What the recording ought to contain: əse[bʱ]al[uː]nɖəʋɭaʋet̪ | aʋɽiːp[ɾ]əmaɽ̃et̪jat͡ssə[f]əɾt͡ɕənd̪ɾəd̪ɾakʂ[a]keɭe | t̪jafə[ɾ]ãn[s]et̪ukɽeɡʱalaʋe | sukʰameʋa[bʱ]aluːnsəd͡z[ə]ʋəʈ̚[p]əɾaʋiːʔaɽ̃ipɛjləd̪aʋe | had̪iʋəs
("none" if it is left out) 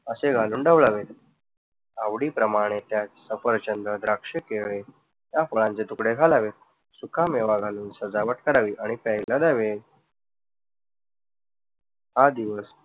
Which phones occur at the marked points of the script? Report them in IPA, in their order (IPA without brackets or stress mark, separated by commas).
ɡʱ, uː, ɾ, f, e, ɭ, t͡s, ɡʱ, a, k